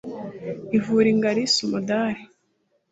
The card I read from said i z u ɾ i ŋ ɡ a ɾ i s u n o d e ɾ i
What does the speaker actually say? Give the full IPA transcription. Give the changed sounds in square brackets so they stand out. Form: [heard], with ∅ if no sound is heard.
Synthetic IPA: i [v] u ɾ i ŋ ɡ a ɾ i s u [m] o d [a] ɾ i